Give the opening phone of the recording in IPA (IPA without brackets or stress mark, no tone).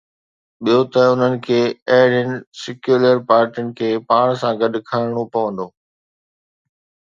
ɓ